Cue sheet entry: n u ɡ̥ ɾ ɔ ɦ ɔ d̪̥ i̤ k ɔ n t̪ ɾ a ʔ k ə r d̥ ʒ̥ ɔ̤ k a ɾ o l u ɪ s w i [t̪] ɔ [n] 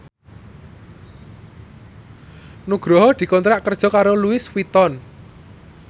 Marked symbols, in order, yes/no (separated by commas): yes, yes